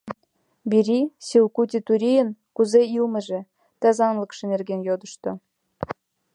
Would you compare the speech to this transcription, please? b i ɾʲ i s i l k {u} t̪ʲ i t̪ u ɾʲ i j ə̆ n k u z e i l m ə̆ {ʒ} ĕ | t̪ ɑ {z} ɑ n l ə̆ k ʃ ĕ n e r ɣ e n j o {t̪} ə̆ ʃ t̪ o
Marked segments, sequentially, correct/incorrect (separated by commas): correct, correct, correct, incorrect